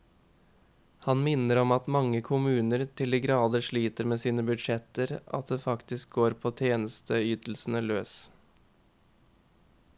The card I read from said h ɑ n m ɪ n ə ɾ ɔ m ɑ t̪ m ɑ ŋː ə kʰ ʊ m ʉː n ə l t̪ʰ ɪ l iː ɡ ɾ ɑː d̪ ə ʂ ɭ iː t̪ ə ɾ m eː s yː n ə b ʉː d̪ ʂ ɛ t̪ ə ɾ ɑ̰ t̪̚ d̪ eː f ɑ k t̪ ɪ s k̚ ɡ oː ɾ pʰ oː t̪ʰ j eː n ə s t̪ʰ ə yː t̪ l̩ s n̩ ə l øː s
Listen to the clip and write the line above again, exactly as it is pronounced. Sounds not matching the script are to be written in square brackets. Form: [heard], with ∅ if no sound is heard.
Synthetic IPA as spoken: h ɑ n m ɪ n ə ɾ ɔ m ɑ t̪ m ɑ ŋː ə kʰ ʊ m ʉː n ə [ɾ] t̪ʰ ɪ l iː ɡ ɾ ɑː d̪ ə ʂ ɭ iː t̪ ə ɾ m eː s [iː] n ə b [ʉ] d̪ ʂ ɛ t̪ ə ɾ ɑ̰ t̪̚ d̪ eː f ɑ k t̪ ɪ s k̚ ɡ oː ɾ pʰ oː t̪ʰ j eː n ə s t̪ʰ ə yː t̪ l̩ s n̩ ə l øː s